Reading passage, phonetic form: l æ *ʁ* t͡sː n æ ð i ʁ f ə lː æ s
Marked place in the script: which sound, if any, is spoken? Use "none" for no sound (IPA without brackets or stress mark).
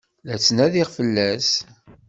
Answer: none